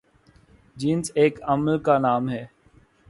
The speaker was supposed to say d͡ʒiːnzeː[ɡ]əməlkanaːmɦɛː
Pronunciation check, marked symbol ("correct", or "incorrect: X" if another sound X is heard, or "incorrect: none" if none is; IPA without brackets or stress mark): incorrect: k